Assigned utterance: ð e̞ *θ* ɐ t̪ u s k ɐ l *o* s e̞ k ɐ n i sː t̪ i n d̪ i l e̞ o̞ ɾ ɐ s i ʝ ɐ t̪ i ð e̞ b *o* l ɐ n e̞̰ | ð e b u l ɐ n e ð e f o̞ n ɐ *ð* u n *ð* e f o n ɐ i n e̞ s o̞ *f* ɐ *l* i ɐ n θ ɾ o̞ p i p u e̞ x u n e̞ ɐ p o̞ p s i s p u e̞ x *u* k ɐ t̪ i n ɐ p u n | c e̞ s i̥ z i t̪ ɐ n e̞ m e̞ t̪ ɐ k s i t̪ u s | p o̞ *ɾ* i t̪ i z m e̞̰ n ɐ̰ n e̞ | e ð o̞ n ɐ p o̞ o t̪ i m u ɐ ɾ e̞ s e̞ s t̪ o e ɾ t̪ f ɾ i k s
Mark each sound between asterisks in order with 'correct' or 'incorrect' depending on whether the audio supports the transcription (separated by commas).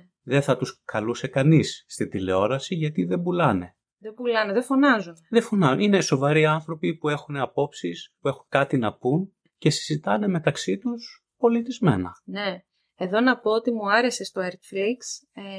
correct, incorrect, incorrect, incorrect, correct, incorrect, incorrect, correct, incorrect